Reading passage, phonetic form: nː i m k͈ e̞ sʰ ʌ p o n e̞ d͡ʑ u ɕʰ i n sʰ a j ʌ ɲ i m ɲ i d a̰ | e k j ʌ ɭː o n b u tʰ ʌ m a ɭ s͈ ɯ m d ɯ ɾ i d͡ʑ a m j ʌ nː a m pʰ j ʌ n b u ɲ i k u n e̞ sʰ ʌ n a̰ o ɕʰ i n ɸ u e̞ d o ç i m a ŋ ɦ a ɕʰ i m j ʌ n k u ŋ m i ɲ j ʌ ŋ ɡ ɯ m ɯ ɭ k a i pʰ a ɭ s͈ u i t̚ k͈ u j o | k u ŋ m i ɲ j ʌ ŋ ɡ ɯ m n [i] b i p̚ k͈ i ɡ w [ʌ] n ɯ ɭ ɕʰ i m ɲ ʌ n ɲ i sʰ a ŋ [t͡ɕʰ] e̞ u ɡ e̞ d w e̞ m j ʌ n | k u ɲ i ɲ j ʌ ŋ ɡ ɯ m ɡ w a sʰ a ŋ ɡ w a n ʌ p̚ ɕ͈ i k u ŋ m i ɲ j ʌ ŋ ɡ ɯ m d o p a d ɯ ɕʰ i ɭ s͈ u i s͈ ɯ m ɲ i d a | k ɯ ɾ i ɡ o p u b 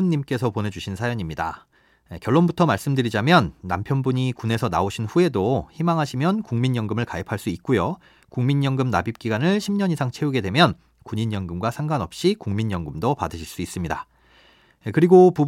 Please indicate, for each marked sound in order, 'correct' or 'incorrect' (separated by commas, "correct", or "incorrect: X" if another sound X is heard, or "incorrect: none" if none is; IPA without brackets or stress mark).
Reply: incorrect: a, incorrect: a, correct